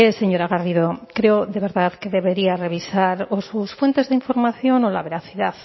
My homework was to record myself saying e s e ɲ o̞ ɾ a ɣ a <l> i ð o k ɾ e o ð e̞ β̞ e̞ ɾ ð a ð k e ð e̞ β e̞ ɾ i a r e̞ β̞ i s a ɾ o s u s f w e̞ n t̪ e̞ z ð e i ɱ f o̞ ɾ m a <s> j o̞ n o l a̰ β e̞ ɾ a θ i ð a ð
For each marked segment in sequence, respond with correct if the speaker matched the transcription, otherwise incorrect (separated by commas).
incorrect, incorrect